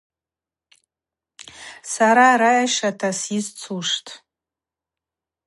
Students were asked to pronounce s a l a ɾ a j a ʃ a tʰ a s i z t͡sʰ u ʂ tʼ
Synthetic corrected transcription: s a ɾ a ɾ a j a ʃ a tʰ a s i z t͡sʰ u ʂ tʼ